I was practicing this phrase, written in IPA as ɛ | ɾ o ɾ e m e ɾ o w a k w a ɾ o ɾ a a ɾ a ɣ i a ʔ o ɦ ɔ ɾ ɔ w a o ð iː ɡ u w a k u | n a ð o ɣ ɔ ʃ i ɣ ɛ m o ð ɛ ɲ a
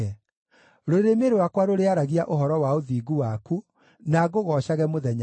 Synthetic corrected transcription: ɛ | ɾ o ɾ e m e ɾ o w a k w a ɾ o ɾ e a ɾ a ɣ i a ʔ o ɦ ɔ ɾ ɔ w a o ð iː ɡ u w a k u | n a ɣ o ɣ ɔ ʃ a ɣ ɛ m o ð ɛ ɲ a